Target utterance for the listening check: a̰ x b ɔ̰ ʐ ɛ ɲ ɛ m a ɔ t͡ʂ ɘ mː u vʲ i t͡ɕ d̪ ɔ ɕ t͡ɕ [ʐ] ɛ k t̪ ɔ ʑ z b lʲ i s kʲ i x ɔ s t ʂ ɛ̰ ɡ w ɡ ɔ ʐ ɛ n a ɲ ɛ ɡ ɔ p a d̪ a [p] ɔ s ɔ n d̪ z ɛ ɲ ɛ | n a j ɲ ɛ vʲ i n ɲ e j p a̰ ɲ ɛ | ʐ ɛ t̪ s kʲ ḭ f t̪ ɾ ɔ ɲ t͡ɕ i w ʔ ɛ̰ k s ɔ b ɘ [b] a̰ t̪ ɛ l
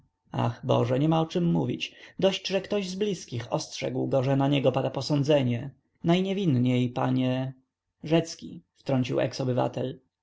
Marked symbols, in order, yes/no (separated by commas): yes, yes, no